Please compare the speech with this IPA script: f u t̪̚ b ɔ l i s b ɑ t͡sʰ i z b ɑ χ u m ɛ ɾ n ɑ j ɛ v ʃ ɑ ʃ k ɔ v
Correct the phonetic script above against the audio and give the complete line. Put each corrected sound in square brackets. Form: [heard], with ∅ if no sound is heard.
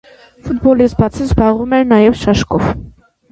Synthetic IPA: f u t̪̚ b ɔ l i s b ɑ t͡sʰ i z b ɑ [ʁ] u m ɛ ɾ n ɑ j ɛ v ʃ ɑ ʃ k ɔ v